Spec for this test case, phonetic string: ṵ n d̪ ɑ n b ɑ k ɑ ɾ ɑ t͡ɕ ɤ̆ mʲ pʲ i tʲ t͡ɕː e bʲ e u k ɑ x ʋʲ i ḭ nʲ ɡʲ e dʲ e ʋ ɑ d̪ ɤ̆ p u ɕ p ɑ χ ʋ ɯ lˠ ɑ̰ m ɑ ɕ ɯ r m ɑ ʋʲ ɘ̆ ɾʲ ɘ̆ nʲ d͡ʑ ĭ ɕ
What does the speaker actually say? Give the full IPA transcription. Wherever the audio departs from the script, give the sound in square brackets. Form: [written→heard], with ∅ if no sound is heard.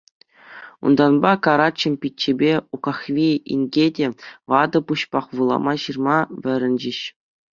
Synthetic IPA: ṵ n d̪ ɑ n b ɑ k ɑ ɾ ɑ t͡ɕ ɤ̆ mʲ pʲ i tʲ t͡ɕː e bʲ e u k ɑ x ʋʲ i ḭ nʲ ɡʲ e dʲ e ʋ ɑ d̪ ɤ̆ p u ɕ p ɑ χ ʋ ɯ lˠ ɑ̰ m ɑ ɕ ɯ r m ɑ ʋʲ ɘ̆ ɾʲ ɘ̆ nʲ d͡ʑ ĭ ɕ